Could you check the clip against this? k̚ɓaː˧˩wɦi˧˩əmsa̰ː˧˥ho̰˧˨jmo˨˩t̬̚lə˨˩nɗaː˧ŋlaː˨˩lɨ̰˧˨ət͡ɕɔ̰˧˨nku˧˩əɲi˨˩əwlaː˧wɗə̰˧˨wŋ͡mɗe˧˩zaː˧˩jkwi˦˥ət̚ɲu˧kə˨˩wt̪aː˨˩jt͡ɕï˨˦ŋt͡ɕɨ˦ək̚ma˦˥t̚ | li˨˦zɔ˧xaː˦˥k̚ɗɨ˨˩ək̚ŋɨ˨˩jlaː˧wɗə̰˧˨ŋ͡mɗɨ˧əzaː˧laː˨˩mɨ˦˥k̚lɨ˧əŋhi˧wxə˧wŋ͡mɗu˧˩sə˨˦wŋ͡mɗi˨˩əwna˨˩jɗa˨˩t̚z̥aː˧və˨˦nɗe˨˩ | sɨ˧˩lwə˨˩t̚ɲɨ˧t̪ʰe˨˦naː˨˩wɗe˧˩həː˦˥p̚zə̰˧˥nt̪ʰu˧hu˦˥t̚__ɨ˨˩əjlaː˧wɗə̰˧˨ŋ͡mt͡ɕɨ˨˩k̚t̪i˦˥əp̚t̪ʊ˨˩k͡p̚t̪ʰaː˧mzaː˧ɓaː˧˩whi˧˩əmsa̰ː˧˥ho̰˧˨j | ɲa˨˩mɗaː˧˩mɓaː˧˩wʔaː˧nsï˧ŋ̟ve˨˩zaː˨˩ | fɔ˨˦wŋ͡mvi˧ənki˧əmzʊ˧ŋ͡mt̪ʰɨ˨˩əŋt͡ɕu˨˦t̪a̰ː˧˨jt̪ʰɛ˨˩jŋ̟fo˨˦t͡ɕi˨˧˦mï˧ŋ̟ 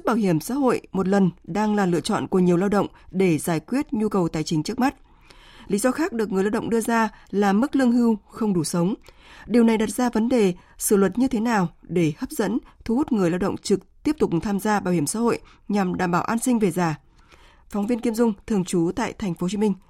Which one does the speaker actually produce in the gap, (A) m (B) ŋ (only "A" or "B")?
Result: B